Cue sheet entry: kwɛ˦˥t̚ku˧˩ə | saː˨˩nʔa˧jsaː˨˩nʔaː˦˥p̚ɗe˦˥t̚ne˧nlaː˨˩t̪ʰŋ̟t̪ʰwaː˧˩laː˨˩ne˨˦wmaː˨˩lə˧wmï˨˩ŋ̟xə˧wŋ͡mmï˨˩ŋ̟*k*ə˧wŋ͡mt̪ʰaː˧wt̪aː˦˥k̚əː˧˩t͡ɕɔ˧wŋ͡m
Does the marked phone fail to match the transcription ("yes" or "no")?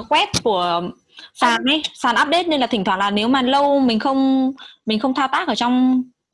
yes